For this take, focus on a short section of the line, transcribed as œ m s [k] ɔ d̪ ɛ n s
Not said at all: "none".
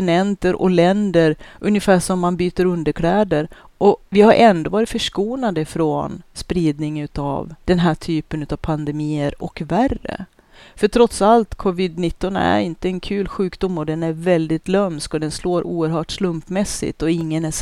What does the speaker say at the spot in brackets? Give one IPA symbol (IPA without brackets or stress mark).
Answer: k